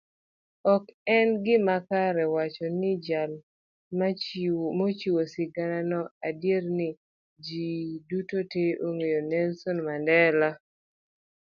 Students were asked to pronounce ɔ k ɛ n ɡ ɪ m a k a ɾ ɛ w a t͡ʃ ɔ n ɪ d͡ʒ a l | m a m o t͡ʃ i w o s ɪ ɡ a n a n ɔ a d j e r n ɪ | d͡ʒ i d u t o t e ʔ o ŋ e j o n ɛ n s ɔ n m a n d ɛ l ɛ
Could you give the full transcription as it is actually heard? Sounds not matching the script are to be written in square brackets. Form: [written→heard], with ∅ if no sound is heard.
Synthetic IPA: ɔ k ɛ n ɡ ɪ m a k a ɾ ɛ w a t͡ʃ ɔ n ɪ d͡ʒ a l | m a m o t͡ʃ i w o s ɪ ɡ a n a n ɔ a d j e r n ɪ | d͡ʒ i d u t o t e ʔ o ŋ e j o n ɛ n s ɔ n m a n d ɛ l [ɛ→a]